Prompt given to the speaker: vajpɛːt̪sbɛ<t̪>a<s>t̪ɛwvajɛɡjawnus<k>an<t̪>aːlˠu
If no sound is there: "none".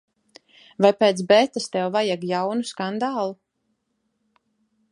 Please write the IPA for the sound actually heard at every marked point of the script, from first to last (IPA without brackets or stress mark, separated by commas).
t̪, s, k, d̪